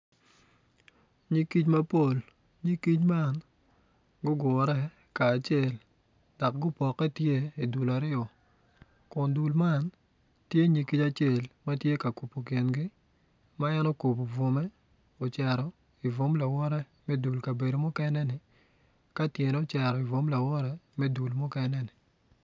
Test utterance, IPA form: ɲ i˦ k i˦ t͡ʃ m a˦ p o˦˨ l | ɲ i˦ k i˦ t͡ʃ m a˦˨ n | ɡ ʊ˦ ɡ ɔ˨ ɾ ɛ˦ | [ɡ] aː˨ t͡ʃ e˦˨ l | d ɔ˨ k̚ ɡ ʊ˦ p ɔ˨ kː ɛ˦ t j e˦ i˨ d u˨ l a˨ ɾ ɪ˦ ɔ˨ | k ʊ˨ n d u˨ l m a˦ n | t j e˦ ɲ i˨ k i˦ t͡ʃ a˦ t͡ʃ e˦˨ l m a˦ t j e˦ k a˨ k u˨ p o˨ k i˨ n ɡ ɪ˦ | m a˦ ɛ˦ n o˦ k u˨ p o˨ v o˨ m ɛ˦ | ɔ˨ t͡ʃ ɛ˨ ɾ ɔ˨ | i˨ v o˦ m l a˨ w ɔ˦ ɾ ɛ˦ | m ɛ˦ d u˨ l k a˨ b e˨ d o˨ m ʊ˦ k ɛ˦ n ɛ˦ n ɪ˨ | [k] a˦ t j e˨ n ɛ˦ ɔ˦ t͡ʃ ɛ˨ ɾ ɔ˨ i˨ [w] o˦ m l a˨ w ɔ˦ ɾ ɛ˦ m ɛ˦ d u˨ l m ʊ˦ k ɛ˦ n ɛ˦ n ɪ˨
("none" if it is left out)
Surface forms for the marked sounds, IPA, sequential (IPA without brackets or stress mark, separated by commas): k, k, v